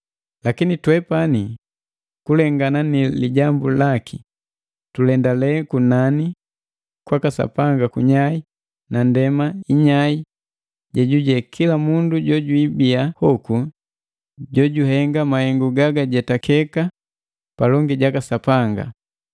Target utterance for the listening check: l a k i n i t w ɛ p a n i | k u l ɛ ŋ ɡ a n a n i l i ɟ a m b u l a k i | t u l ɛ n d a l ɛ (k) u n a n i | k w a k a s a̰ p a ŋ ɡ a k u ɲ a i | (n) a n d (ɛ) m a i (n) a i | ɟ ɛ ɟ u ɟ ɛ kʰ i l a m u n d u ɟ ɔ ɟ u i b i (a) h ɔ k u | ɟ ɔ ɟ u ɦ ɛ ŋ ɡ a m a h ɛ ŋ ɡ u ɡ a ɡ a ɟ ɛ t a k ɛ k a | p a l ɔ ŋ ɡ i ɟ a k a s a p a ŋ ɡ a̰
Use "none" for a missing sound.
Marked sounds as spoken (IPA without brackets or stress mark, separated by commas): k, n, ɛ, ɲ, a